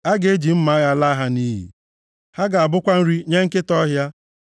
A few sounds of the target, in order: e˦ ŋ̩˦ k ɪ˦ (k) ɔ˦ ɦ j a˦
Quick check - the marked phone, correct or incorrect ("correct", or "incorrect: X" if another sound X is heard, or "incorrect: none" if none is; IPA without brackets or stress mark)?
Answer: incorrect: t